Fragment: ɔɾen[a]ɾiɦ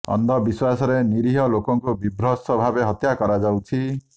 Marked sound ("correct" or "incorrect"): incorrect